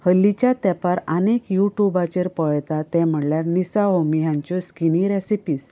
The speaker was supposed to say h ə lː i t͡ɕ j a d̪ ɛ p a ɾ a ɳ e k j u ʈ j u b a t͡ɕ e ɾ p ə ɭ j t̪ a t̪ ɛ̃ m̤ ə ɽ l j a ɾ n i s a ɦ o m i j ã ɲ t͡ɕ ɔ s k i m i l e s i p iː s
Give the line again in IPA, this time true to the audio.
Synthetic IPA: h ə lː i t͡ɕ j a t̪ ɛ p a ɾ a n e k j u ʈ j u b a t͡ɕ e ɾ p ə ɭ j t̪ a t̪ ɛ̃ m̤ ə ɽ l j a ɾ n i s a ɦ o m i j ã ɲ t͡ɕ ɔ s k i n i ɾ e s i p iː s